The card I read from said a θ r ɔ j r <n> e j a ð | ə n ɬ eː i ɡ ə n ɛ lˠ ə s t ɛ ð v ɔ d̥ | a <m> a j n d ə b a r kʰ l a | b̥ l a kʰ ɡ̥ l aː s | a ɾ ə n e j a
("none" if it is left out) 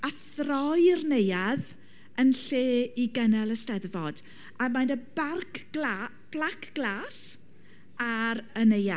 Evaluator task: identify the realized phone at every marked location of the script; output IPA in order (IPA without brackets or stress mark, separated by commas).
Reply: n, m